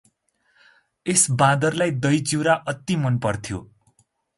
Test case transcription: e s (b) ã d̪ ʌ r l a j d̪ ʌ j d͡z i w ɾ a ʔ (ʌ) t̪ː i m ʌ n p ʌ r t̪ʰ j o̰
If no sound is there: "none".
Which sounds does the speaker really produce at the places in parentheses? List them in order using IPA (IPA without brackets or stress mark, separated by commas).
b, ʌ